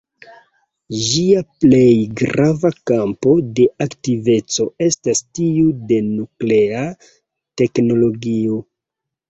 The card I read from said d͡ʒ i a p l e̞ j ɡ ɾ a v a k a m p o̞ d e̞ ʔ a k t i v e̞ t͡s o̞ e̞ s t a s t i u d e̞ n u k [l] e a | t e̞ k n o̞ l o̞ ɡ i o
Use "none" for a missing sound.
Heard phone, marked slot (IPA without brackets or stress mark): l